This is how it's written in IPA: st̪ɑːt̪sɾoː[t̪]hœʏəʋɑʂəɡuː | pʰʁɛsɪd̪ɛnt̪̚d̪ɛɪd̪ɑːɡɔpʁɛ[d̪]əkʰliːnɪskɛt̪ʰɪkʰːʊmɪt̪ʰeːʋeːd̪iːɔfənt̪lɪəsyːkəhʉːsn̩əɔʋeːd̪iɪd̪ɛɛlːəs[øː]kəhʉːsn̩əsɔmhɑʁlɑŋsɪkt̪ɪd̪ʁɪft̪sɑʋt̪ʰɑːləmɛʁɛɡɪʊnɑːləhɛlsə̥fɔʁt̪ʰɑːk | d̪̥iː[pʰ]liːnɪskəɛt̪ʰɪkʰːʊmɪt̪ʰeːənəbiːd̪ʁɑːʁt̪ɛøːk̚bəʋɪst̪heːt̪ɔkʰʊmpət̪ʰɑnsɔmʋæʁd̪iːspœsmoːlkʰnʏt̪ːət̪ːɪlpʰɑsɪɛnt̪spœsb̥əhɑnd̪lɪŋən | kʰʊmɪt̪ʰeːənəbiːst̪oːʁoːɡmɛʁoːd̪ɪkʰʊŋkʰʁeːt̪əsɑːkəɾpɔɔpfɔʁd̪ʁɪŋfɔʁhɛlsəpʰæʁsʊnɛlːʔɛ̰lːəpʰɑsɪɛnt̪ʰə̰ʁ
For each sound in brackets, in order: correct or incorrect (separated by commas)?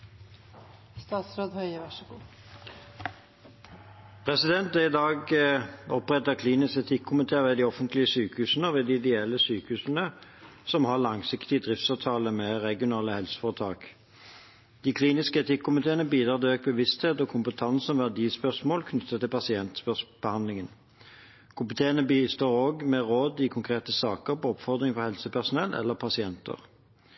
incorrect, incorrect, incorrect, incorrect